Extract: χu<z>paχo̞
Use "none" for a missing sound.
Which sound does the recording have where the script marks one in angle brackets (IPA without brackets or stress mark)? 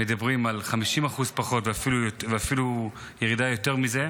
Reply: z